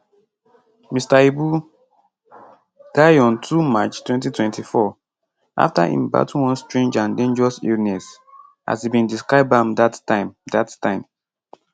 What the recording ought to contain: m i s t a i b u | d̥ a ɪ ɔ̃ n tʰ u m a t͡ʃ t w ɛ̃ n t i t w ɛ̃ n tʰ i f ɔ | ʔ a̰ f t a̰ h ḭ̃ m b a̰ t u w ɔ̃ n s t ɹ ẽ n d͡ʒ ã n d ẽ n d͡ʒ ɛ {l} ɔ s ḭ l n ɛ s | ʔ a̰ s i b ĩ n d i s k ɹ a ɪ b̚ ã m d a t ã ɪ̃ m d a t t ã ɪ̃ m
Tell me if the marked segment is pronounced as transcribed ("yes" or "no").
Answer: no